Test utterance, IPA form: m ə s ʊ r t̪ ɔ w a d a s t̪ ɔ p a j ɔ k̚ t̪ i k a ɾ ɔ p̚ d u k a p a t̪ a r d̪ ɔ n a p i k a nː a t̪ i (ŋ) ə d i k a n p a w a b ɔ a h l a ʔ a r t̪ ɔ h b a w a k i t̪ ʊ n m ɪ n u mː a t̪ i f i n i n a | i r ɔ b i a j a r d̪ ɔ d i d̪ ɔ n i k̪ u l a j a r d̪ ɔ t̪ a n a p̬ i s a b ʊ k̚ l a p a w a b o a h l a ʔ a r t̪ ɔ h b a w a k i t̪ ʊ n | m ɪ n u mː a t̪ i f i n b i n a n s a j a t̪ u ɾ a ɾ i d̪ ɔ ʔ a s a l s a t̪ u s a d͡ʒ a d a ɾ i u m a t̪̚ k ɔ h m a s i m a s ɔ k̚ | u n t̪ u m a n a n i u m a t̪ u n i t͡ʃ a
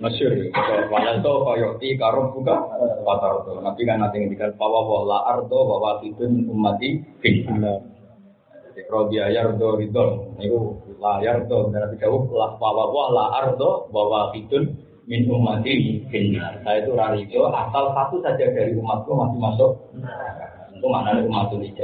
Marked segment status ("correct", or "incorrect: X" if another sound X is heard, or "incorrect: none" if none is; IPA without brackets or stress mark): correct